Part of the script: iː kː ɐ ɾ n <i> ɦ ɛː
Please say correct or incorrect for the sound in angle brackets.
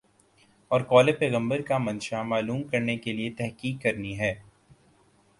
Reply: correct